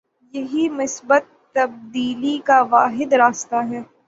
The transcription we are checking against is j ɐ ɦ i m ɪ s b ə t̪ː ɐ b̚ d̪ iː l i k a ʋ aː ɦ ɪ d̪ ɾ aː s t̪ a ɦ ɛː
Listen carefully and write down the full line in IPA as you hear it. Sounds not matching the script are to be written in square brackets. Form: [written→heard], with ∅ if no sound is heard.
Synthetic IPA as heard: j ɐ ɦ i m ɪ s b ə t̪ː ɐ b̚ d̪ iː l i k a ʋ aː ɦ ɪ d̪ ɾ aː s t̪ a ɦ ɛː